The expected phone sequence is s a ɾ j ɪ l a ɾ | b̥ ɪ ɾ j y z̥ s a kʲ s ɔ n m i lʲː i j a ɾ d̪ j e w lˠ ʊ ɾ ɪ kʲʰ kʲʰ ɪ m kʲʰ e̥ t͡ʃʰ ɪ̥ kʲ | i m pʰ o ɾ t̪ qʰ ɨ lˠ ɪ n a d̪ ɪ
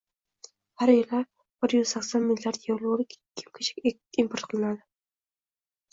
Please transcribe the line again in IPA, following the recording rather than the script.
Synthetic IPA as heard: h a ɾ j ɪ l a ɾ | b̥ ɪ ɾ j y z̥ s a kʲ s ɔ n m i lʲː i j a ɾ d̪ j e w lˠ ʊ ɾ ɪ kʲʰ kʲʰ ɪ m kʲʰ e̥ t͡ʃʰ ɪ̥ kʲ | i m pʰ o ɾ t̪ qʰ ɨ lˠ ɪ n a d̪ ɪ